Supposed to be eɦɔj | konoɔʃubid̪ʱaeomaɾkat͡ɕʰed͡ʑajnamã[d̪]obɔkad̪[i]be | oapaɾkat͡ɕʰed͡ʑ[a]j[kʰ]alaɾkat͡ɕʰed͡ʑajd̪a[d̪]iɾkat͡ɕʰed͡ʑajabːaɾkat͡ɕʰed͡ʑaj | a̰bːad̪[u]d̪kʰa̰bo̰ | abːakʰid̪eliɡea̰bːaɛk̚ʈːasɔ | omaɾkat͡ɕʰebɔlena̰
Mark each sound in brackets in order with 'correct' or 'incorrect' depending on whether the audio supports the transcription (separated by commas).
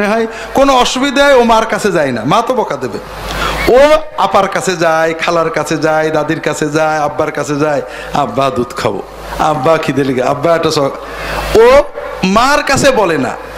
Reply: incorrect, incorrect, correct, correct, correct, correct